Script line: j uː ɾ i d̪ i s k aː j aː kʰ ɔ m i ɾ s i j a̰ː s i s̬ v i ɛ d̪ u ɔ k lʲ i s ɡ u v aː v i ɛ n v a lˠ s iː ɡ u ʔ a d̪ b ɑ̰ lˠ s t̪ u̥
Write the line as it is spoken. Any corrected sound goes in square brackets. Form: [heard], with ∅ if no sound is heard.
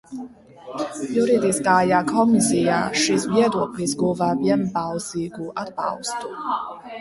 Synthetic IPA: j [u] ɾ i d̪ i s k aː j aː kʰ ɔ m i [∅] s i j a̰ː [ʃ] i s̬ v i ɛ d̪ u ɔ k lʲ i s ɡ u v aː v i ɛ n [b] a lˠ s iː ɡ u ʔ a d̪ b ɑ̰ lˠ s t̪ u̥